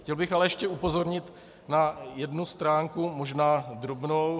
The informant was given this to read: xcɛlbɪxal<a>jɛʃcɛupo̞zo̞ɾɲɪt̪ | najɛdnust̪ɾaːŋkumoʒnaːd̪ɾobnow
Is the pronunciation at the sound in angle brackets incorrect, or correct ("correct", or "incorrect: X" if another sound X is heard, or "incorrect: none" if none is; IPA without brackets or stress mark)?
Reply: incorrect: ɛ